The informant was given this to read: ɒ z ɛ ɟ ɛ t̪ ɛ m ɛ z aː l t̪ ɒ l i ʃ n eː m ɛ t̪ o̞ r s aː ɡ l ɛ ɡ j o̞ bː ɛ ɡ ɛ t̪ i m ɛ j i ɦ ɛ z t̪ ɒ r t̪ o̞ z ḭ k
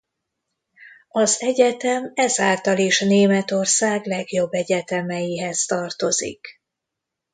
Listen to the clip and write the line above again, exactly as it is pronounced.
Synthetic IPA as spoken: ɒ z ɛ ɟ ɛ t̪ ɛ m ɛ z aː l t̪ ɒ l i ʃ n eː m ɛ t̪ o̞ r s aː ɡ l ɛ ɡ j o̞ bː ɛ ɟ ɛ t̪ ɛ m ɛ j i ɦ ɛ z t̪ ɒ r t̪ o̞ z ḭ k